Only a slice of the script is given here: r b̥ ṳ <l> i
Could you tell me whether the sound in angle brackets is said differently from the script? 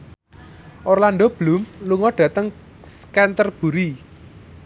yes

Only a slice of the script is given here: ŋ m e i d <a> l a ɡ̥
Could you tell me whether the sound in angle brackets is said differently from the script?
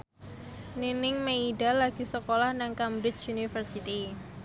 no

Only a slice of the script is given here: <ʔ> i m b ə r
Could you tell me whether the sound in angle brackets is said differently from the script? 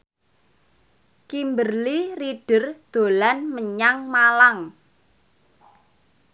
yes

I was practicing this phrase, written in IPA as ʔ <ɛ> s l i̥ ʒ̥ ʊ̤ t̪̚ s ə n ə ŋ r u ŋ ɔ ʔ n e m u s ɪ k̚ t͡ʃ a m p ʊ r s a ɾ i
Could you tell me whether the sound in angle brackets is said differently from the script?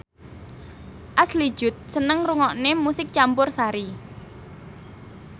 yes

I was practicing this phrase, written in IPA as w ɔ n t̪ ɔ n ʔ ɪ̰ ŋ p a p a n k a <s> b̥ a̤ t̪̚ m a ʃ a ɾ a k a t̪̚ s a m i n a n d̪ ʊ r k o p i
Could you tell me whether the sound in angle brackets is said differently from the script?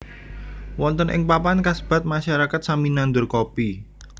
no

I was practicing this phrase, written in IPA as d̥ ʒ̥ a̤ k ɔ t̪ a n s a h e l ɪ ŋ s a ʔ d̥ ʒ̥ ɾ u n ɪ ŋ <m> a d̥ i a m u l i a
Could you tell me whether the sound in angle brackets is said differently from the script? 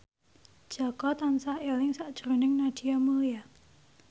yes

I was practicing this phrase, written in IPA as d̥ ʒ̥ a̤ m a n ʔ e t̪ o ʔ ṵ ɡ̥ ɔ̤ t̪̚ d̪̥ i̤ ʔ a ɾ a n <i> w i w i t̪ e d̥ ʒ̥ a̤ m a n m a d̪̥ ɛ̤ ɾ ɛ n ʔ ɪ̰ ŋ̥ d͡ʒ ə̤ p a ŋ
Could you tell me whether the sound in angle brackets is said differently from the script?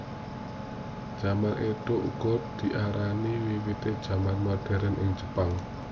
no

